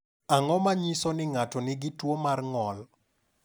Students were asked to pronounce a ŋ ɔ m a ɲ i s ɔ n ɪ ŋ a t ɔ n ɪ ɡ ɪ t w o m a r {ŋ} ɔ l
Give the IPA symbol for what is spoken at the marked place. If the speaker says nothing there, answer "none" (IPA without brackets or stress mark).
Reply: ŋ